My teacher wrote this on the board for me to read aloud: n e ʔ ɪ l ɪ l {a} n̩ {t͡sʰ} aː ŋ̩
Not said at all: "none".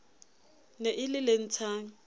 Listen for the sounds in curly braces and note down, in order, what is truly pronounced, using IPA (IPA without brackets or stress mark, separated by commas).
e, t͡sʰ